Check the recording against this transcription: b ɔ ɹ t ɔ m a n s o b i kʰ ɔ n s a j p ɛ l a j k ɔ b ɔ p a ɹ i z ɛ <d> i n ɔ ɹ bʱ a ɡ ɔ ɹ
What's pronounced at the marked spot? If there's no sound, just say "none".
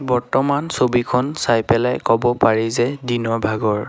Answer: d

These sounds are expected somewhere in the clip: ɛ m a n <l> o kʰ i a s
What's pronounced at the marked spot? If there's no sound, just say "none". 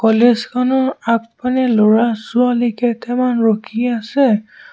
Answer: ɹ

